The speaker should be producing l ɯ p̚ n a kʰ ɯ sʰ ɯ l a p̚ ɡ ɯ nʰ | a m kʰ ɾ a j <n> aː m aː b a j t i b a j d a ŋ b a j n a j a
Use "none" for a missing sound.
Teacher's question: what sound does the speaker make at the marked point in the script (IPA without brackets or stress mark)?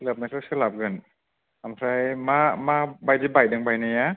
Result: m